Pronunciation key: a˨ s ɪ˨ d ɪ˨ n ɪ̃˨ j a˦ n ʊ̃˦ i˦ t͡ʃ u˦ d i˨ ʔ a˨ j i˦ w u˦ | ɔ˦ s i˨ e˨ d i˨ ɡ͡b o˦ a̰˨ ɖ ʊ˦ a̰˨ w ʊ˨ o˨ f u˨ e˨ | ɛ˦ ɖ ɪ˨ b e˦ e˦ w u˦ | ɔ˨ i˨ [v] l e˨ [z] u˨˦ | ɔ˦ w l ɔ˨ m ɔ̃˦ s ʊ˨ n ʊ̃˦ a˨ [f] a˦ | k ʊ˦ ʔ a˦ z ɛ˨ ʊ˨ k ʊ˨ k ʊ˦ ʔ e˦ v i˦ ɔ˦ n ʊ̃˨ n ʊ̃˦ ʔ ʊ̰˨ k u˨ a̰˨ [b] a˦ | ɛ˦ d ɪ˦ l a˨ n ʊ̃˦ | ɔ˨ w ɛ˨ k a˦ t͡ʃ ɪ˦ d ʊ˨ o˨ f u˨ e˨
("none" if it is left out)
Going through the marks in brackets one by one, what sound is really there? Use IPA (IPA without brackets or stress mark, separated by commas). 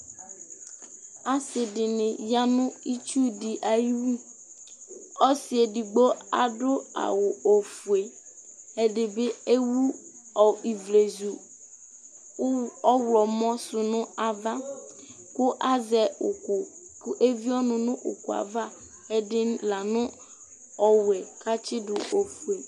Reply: v, z, v, v